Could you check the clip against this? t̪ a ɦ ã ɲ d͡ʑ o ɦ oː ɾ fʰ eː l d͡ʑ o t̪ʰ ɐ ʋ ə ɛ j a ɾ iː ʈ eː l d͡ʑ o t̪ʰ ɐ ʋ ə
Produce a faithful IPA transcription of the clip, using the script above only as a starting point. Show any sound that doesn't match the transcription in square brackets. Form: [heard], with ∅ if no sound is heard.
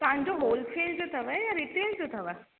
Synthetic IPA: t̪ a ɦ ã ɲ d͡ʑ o ɦ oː [l] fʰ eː l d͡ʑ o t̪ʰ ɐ ʋ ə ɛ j a ɾ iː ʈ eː l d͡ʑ o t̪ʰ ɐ ʋ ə

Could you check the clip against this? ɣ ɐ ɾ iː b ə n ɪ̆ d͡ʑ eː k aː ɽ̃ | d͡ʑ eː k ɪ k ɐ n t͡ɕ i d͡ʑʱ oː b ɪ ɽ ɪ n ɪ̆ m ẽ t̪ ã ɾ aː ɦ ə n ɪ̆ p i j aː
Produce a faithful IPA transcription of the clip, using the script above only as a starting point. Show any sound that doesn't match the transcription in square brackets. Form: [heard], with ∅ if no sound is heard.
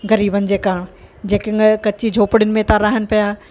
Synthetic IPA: ɣ ɐ ɾ iː b ə n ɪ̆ d͡ʑ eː k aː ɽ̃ | d͡ʑ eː k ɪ k ɐ [∅] t͡ɕ i d͡ʑʱ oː [p] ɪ ɽ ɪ n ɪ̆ m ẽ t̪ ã ɾ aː ɦ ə n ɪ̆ p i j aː

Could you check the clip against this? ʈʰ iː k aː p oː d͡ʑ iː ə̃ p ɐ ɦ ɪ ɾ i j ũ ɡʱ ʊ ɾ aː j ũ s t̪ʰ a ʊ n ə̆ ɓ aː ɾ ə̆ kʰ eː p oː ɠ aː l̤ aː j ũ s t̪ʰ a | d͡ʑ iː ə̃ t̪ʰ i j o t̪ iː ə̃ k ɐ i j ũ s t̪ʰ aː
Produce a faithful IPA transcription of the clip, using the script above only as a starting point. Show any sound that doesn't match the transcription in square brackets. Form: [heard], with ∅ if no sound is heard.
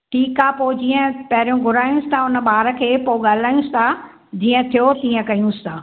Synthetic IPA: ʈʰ iː k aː p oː d͡ʑ iː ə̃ p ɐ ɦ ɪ ɾ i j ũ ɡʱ ʊ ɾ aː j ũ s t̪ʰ a ʊ n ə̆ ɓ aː ɾ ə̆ kʰ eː p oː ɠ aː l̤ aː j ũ s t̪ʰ a | d͡ʑ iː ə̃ t̪ʰ i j o t̪ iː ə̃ k ɐ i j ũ s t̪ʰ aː

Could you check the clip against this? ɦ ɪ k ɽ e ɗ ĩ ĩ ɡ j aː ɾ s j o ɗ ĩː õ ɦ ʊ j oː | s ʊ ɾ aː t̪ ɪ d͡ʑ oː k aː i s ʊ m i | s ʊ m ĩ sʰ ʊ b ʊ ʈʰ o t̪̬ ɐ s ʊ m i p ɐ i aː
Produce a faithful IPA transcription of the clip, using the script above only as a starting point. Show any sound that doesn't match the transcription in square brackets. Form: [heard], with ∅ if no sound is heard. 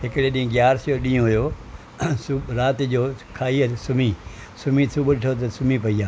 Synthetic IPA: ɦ ɪ k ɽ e ɗ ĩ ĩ ɡ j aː ɾ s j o ɗ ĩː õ ɦ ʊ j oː | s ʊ ɾ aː t̪ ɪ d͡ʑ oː [kʰ] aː i s ʊ m i | s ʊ m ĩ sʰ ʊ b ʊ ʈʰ o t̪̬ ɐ s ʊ m i p ɐ i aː

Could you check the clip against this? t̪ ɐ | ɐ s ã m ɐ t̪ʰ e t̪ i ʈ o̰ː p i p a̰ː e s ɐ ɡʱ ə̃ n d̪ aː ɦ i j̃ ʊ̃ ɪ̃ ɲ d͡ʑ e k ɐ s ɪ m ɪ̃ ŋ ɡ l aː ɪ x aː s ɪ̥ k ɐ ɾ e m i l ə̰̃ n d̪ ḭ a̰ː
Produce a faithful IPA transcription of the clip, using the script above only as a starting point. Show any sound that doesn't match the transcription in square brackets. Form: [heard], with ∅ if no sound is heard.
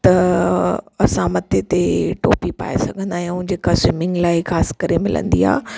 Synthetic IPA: t̪ ɐ | ɐ s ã m ɐ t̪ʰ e t̪ [e] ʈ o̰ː p i p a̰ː e s ɐ ɡʱ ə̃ n d̪ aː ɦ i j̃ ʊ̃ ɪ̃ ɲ d͡ʑ e k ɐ s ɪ m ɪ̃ ŋ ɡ l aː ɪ x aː s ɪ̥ k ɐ ɾ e m [ɪ] l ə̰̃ n d̪ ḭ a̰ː

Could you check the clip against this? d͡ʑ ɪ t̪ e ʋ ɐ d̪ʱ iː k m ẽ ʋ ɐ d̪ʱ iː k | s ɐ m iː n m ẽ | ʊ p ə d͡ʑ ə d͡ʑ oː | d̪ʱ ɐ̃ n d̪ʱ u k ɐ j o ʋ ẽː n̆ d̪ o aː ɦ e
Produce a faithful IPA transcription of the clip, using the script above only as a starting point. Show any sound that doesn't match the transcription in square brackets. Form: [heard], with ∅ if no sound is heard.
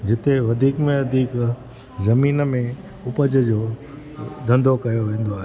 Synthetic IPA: d͡ʑ ɪ t̪ e ʋ ɐ d̪ʱ iː k m ẽ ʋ ɐ d̪ʱ iː k | [z] ɐ m iː n m ẽ | ʊ p ə d͡ʑ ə d͡ʑ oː | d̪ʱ ɐ̃ n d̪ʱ [o] k ɐ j o ʋ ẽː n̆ d̪ o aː ɦ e

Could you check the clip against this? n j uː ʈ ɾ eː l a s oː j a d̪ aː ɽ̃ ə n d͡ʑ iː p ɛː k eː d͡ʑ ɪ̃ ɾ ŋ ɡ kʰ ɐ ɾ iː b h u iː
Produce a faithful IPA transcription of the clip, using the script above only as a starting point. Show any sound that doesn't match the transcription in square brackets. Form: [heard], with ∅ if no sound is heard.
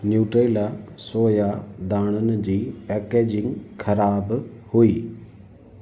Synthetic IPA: n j uː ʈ ɾ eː l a s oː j a d̪ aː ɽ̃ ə n d͡ʑ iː p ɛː k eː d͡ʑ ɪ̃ [∅] ŋ ɡ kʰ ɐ ɾ [aː] b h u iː

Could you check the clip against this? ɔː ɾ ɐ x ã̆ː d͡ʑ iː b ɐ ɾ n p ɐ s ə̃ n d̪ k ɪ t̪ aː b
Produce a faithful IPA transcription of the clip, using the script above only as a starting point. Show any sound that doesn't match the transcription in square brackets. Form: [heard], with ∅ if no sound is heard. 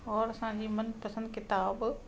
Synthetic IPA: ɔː ɾ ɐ [s] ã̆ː d͡ʑ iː [m] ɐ [∅] n p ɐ s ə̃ n d̪ k ɪ t̪ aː b

